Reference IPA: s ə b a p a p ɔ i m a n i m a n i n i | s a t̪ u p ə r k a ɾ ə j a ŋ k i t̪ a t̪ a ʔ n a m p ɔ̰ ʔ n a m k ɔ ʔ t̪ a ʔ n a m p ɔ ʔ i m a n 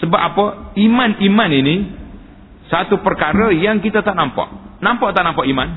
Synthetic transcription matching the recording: s ə b a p a p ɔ i m a n i m a n i n i | s a t̪ u p ə r k a ɾ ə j a ŋ k i t̪ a t̪ a ʔ n a m p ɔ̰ ʔ n a m p ɔ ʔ t̪ a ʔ n a m p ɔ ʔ i m a n